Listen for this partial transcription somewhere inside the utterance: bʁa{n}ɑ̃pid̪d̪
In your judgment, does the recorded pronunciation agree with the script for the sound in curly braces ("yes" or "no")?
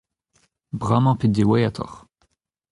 no